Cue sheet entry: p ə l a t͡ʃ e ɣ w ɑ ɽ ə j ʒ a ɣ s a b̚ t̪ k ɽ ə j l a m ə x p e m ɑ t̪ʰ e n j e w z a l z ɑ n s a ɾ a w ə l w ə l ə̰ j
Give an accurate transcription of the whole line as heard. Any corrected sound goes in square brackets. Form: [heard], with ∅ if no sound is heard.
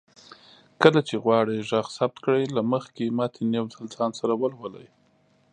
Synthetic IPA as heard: [k] ə l a t͡ʃ e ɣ w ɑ ɽ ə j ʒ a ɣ s a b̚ t̪ k ɽ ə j l a m ə x [k] e m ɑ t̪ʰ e n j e w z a l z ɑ n s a ɾ a w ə l w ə l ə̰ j